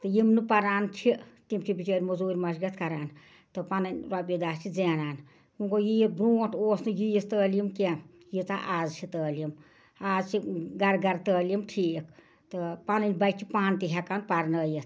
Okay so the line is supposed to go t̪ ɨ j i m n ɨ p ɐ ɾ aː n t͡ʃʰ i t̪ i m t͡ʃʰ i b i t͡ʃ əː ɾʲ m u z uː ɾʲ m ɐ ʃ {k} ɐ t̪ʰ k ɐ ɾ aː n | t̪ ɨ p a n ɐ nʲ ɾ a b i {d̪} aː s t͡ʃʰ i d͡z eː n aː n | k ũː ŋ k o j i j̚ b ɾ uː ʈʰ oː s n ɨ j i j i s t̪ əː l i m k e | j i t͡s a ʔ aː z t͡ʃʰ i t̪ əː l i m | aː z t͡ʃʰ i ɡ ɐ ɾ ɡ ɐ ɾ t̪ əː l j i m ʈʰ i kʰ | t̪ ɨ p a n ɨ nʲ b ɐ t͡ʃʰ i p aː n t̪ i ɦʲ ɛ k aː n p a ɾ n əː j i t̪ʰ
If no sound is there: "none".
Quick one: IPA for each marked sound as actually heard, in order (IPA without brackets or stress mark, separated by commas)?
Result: ɡ, d̪